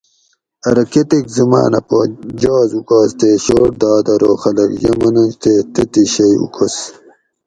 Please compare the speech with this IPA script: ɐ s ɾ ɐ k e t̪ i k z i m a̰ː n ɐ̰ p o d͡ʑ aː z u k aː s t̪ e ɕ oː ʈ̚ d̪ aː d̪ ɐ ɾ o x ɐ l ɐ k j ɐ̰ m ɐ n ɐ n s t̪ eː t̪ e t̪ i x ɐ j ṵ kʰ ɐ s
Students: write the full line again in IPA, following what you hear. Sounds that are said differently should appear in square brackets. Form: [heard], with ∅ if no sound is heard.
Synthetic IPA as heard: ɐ [∅] ɾ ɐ k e t̪ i k z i m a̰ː n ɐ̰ p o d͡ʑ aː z u k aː s t̪ e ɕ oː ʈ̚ d̪ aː d̪ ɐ ɾ o x ɐ l ɐ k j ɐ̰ m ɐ n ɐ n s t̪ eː t̪ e t̪ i [ɕ] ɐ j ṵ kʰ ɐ s